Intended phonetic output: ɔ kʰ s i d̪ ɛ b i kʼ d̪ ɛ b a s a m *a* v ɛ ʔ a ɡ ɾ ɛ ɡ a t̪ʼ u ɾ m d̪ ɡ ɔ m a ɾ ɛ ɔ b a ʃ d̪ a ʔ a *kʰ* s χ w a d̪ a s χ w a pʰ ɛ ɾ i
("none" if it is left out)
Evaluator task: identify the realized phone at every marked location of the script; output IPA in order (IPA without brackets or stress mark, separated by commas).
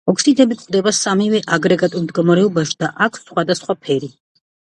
i, kʰ